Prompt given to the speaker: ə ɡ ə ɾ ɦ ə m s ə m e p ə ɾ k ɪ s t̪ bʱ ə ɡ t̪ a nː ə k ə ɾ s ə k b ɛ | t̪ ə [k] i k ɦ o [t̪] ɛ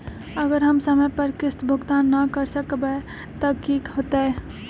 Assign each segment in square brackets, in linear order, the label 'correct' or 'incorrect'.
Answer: correct, correct

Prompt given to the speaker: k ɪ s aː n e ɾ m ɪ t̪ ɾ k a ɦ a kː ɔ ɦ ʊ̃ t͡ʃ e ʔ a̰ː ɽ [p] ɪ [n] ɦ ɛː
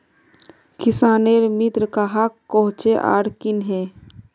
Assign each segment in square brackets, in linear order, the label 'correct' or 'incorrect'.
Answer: incorrect: k, correct

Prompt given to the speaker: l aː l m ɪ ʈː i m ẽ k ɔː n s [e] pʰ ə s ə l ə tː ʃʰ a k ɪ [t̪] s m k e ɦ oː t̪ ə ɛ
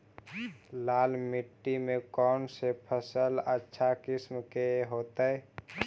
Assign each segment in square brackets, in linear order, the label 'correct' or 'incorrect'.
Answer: correct, incorrect: none

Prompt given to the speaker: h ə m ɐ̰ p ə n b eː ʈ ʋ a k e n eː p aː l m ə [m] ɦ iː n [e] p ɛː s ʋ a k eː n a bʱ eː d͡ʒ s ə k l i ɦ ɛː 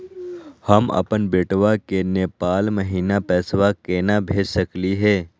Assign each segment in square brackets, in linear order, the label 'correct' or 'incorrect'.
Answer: incorrect: none, incorrect: a

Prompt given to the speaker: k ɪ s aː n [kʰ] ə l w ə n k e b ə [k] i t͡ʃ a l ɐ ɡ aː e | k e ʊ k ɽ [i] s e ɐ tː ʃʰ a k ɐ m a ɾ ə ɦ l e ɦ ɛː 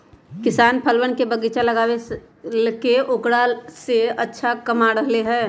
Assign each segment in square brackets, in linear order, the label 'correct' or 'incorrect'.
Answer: incorrect: pʰ, incorrect: ɡ, incorrect: a

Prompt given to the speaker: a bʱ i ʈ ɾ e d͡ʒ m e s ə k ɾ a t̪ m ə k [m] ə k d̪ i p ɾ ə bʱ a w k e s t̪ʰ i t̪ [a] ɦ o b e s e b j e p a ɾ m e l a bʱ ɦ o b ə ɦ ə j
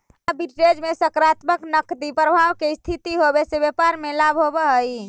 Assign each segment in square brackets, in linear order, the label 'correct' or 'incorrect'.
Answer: incorrect: n, incorrect: i

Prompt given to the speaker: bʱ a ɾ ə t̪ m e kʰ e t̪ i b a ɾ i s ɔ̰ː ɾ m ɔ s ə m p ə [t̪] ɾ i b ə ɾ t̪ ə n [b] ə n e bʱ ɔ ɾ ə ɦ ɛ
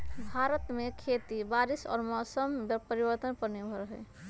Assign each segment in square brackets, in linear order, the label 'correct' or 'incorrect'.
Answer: incorrect: none, incorrect: p

